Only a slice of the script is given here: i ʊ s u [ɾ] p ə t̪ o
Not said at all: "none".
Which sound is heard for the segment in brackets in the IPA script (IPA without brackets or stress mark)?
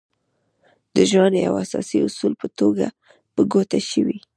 l